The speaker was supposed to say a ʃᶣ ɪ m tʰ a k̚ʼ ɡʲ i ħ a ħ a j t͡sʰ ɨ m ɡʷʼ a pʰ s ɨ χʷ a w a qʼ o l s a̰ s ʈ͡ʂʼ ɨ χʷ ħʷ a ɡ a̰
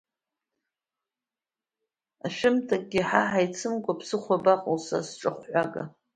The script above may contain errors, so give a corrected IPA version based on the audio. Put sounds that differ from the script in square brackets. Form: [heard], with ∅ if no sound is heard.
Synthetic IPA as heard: a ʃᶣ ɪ m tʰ a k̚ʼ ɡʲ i ħ a ħ a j t͡sʰ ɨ m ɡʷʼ a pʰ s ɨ χʷ a [b] a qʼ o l s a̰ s ʈ͡ʂʼ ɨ χʷ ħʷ a ɡ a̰